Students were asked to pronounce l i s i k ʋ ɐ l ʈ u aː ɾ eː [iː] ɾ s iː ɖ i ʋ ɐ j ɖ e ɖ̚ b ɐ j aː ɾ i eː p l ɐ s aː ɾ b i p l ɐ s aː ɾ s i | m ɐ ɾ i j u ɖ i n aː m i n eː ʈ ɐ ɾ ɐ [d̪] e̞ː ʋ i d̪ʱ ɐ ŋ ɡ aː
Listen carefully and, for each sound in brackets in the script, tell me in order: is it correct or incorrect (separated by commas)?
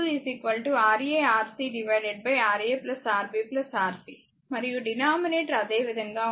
incorrect, correct